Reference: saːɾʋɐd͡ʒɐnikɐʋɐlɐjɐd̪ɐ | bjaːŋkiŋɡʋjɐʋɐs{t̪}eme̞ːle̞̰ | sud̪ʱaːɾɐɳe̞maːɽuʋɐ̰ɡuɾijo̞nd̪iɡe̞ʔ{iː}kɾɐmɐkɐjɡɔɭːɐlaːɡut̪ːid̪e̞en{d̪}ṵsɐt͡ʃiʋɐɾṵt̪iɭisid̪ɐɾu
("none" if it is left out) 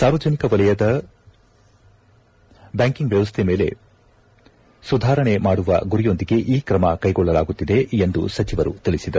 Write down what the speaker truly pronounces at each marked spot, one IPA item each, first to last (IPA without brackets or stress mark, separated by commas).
t̪ʰ, iː, d̪